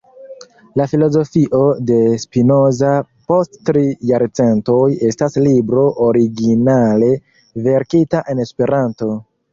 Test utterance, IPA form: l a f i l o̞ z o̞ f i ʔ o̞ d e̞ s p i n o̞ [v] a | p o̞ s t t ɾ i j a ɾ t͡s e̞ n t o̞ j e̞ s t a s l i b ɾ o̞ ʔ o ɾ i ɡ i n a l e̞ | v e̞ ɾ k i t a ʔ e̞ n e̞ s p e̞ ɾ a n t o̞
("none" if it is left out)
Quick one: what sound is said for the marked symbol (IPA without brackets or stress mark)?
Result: z